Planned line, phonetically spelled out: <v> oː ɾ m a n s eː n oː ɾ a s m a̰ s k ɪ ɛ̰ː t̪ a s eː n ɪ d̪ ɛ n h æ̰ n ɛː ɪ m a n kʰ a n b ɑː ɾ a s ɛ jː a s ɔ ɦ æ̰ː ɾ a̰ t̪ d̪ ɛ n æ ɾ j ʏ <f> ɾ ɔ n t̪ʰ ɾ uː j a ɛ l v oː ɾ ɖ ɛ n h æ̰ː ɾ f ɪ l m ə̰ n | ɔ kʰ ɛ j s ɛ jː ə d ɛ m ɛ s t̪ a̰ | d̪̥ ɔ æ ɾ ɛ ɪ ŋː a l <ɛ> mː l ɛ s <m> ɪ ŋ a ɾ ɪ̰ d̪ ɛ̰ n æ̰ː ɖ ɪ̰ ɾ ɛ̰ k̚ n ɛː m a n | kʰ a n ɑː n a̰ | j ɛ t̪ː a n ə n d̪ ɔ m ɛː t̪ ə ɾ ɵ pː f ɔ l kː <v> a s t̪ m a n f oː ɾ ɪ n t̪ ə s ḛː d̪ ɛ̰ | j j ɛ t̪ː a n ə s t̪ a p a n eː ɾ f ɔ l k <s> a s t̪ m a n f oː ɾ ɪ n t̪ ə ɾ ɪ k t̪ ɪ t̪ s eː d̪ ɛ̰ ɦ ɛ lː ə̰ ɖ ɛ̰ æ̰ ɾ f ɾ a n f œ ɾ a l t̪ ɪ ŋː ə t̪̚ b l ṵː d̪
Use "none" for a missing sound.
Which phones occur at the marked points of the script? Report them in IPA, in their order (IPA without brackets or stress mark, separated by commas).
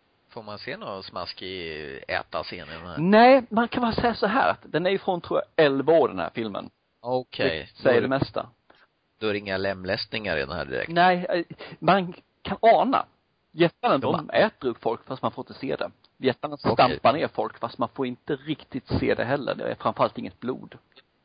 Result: f, f, ɛ, n, f, f